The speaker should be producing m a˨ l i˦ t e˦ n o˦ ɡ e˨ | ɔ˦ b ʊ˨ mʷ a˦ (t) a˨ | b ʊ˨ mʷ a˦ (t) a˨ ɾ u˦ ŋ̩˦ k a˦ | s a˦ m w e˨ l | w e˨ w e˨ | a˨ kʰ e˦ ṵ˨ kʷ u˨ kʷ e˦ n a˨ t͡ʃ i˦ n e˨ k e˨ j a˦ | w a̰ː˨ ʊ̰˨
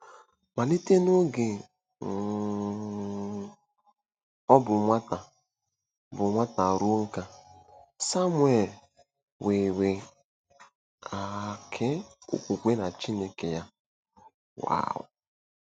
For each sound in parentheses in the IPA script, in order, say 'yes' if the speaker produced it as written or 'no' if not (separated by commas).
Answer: yes, yes